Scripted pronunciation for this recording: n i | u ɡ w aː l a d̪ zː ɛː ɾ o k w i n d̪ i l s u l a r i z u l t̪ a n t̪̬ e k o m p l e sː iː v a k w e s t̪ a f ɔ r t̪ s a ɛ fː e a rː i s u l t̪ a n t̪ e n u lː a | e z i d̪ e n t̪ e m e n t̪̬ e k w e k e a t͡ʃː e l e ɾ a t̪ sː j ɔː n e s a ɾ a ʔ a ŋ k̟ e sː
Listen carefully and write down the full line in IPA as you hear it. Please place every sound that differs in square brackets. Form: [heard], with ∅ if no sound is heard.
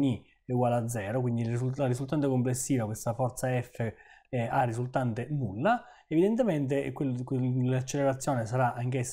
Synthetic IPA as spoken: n i | u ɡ w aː l a d̪ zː ɛː ɾ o k w i n d̪ i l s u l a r i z u l t̪ a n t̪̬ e k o m p l e sː iː v a k w e s t̪ a f ɔ r t̪ s a ɛ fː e a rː i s u l t̪ a n t̪ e n u lː a | e [v] i d̪ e n t̪ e m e n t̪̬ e k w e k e a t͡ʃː e l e ɾ a t̪ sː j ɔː n e s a ɾ a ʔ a ŋ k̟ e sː